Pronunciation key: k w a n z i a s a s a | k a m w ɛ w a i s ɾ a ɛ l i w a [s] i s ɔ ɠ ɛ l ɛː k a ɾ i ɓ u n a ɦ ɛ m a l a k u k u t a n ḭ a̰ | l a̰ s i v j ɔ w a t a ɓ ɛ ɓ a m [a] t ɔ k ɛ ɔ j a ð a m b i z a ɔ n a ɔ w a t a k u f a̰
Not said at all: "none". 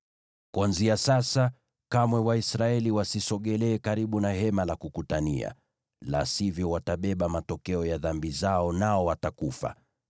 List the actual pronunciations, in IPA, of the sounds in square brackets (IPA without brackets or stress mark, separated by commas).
s, a